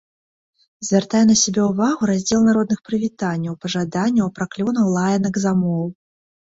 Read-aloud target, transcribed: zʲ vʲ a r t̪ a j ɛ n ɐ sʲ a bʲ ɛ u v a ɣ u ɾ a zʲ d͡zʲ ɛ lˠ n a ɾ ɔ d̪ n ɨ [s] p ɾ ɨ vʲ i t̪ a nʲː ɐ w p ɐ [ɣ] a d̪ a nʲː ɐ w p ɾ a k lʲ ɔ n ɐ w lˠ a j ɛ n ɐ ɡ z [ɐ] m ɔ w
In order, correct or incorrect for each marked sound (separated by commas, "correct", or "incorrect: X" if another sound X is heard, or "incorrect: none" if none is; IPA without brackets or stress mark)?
incorrect: x, incorrect: ʐ, incorrect: a